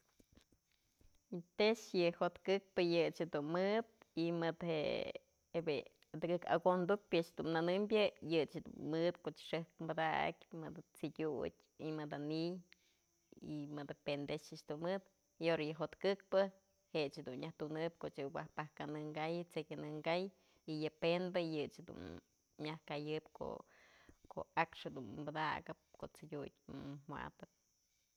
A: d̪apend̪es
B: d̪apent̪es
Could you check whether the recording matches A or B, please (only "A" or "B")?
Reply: A